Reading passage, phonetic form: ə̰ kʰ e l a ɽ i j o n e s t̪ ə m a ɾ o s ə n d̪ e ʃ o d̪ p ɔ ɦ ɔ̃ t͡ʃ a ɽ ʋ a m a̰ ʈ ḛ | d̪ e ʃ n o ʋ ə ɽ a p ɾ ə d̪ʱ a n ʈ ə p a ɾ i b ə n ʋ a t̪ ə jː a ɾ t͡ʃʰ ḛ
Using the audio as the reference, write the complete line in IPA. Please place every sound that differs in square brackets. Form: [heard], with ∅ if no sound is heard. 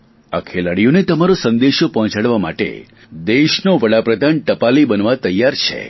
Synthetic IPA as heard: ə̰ kʰ e l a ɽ i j o n e [∅] t̪ ə m a ɾ o s ə n d̪ e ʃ o [∅] p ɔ ɦ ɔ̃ t͡ʃ a ɽ ʋ a m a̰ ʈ ḛ | d̪ e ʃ n o ʋ ə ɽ a p ɾ ə d̪ʱ a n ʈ ə p a [l] i b ə n ʋ a t̪ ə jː a ɾ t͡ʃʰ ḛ